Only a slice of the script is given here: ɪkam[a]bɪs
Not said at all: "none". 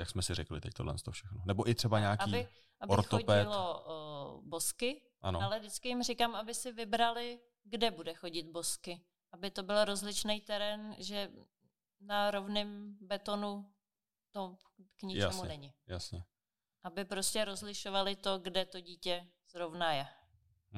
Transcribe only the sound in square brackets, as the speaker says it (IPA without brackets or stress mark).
a